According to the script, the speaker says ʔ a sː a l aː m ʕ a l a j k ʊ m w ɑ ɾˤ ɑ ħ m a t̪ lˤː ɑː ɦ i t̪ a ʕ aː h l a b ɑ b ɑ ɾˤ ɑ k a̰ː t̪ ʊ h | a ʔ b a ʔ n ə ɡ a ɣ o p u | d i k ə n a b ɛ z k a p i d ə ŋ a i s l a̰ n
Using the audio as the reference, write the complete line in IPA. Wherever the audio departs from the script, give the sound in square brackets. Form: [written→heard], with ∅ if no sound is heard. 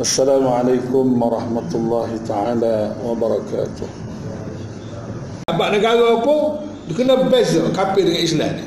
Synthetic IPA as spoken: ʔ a sː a l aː m ʕ a l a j k ʊ m w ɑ ɾˤ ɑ ħ m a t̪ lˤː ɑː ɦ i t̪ a ʕ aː [h→∅] l a [b→w] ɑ b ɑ ɾˤ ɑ k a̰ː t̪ ʊ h | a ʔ b a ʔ n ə ɡ a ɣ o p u | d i k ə n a b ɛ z k a p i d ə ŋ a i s l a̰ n